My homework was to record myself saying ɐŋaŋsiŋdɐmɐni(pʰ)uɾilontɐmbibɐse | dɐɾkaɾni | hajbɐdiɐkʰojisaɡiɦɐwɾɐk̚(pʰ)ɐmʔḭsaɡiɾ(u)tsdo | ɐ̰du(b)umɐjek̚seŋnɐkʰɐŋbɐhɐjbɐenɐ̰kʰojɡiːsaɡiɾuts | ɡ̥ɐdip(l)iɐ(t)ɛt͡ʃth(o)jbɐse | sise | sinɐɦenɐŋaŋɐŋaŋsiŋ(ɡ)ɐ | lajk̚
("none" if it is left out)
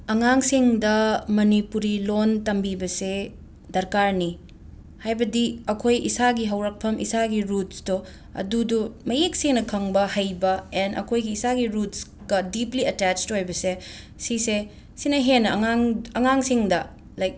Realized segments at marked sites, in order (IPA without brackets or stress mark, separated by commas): p, pʰ, u, d, l, t, o, d